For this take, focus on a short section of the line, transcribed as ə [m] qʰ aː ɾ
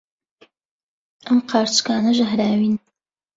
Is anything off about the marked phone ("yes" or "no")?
no